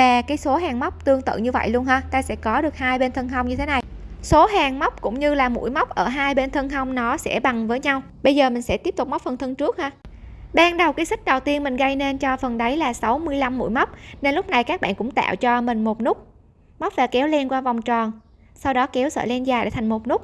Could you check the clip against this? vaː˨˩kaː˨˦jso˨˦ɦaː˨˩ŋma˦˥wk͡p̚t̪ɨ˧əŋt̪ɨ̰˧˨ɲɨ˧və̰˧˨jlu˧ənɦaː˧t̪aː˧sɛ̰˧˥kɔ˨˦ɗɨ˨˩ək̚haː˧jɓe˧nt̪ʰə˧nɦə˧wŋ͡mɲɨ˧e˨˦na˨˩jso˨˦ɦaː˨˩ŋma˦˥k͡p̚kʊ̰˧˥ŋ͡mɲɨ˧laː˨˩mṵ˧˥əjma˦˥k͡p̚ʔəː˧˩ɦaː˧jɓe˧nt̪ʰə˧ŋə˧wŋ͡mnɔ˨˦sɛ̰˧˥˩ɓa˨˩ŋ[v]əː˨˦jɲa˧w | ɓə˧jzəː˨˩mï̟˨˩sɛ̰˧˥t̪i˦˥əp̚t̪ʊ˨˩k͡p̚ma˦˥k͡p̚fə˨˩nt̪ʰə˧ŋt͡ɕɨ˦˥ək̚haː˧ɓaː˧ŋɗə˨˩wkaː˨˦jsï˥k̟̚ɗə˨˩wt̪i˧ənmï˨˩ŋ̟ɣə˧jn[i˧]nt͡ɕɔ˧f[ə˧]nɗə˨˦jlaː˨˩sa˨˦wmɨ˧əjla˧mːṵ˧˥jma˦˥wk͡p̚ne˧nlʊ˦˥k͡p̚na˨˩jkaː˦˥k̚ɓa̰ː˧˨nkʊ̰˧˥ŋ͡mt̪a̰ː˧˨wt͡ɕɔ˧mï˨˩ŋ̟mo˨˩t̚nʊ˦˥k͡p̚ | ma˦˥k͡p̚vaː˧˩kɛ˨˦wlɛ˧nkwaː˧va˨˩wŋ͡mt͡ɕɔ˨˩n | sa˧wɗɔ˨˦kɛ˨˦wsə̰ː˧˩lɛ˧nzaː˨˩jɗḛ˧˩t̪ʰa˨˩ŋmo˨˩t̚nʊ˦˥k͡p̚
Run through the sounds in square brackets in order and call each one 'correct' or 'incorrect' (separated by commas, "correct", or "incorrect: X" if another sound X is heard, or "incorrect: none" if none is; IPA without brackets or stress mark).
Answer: correct, incorrect: e˧, incorrect: ə˨˩